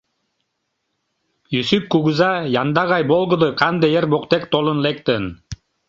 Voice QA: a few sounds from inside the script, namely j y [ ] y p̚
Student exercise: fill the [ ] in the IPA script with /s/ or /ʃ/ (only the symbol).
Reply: s